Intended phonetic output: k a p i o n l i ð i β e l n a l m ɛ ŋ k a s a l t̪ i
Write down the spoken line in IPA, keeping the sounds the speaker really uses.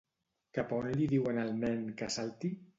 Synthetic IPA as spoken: k a p a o n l i ð i w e n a l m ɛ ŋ k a s a l t̪ i